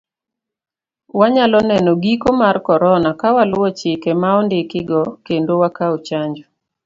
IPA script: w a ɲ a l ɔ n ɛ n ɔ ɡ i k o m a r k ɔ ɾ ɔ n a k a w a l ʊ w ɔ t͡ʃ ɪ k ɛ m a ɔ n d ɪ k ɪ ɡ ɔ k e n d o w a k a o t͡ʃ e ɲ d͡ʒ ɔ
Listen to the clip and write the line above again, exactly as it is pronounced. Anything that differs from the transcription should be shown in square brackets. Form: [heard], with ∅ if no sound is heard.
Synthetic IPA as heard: w a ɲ a l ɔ n ɛ n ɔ ɡ i k o m a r k ɔ ɾ ɔ n a k a w a l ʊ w ɔ t͡ʃ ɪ k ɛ m a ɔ n d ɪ k ɪ ɡ ɔ k e n d o w a k a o t͡ʃ [a] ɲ d͡ʒ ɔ